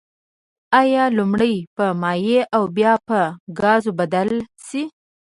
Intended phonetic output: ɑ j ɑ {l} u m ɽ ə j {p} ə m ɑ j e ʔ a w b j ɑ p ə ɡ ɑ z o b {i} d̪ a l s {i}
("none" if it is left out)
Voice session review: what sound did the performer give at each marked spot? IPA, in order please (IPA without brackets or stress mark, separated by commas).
l, p, a, i